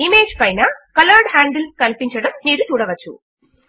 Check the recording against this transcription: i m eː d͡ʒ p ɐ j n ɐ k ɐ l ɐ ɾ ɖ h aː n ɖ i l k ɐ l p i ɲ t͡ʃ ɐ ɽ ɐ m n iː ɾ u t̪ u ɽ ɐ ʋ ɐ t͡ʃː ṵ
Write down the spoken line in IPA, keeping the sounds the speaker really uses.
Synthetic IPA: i m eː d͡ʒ p ɐ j n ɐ k ɐ l ɐ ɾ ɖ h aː ɳ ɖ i l k ɐ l p i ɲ t͡ʃ ɐ ɽ ɐ m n iː ɾ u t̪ uː ɽ ɐ ʋ ɐ t͡ʃː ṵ

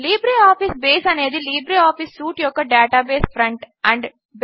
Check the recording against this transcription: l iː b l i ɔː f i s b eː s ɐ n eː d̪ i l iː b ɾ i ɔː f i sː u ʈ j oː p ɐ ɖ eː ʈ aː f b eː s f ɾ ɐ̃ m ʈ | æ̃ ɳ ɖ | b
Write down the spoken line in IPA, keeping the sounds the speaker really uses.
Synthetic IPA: l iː b ɾ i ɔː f i s b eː s ɐ n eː d̪ i l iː b ɾ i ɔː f i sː uː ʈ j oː k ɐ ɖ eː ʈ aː b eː s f ɾ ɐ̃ ɳ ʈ | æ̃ ɳ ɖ | b

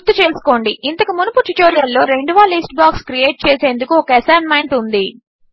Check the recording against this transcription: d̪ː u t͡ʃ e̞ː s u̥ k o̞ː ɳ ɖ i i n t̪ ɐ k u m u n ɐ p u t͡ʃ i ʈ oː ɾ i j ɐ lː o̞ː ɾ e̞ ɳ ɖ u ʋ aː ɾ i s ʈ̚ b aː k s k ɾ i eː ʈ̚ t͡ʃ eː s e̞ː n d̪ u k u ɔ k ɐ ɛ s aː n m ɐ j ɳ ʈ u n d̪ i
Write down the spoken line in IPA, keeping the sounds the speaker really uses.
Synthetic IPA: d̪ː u t͡ʃ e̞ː s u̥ k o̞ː ɳ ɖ i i n t̪ ɐ k u m u n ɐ p u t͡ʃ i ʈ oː ɾ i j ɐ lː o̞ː ɾ e̞ ɳ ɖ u ʋ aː l i s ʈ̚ b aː k s k ɾ i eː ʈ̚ t͡ʃ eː s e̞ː n d̪ u k u ɔ k ɐ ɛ s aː n m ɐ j ɳ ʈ u n d̪ i

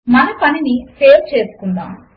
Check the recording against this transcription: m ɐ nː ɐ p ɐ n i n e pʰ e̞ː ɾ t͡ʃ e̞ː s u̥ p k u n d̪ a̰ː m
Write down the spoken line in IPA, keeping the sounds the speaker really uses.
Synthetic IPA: m ɐ n ɐ p ɐ n i n i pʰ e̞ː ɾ t͡ʃ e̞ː s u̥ k u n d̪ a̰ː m

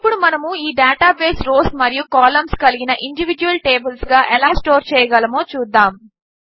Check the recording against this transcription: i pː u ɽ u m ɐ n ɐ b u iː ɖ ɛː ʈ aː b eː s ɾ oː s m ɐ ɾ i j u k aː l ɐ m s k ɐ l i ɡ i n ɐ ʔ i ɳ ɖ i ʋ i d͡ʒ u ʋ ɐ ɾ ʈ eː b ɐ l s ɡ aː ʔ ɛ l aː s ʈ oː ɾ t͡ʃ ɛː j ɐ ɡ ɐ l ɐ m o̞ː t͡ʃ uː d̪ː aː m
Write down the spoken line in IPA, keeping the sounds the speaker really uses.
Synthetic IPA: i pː u ɽ u m ɐ n ɐ m u iː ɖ aː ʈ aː b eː s ɾ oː s m ɐ ɾ i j u k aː l ɐ m s k ɐ l i ɡ i n ɐ ʔ i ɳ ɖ i ʋ i d͡ʒ u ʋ ɐ l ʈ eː b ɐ l s ɡ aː ʔ ɛ l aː s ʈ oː ɾ t͡ʃ ɛː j ɐ ɡ ɐ l ɐ m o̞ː t͡ʃ uː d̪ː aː m

